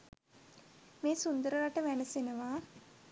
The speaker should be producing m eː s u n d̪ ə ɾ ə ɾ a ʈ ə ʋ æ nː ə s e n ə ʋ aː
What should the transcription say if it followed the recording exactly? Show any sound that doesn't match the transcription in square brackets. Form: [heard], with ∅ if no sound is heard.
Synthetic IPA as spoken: m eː s u n d̪ ə ɾ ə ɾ a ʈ ə ʋ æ [n] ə s e n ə ʋ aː